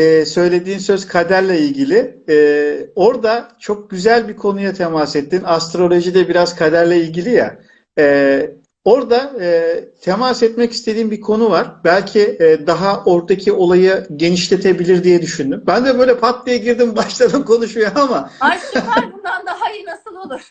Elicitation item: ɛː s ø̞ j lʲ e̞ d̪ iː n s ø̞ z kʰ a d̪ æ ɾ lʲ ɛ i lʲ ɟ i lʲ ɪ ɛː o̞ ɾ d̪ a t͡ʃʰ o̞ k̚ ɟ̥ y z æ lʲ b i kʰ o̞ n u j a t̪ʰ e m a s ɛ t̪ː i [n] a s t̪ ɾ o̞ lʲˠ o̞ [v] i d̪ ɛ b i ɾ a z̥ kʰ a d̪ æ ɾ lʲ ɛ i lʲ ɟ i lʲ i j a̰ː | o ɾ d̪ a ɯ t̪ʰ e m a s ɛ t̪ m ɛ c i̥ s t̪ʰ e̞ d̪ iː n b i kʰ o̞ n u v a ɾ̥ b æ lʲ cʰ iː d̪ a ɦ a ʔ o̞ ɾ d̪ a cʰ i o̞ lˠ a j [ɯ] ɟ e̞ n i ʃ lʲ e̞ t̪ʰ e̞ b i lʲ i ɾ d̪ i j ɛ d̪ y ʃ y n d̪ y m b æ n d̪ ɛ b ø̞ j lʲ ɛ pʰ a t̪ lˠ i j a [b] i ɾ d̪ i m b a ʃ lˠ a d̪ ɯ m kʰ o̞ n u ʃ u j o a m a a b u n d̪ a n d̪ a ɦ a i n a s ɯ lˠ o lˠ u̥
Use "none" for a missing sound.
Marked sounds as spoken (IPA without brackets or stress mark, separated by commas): n, ʒ, ɯ, ɟ